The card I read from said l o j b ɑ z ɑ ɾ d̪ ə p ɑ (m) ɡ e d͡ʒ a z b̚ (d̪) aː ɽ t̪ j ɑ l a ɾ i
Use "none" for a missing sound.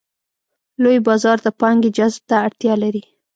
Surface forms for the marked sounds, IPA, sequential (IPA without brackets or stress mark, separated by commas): ŋ, t̪